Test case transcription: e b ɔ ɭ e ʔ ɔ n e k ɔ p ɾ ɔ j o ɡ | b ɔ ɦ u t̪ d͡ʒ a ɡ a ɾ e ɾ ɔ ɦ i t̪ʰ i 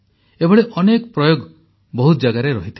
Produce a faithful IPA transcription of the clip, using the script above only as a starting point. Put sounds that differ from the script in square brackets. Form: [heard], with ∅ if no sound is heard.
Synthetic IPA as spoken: e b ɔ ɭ e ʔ ɔ n e k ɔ p ɾ ɔ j o ɡ | b ɔ ɦ u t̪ d͡ʒ a ɡ a ɾ e ɾ ɔ ɦ i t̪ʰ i